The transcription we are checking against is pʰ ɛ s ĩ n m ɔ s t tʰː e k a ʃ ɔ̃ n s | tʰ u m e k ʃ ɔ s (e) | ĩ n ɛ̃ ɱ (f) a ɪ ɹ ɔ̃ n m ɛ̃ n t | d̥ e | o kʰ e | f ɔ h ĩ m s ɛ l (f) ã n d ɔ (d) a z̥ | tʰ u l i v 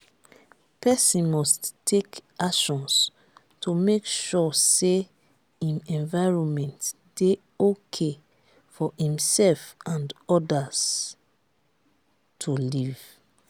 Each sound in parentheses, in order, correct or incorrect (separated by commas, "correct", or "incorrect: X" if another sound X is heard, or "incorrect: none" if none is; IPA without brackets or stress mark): correct, incorrect: v, correct, correct